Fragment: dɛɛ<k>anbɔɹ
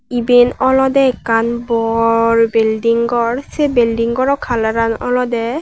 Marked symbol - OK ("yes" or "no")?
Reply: yes